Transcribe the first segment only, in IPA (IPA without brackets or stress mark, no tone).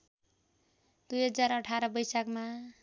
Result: d̪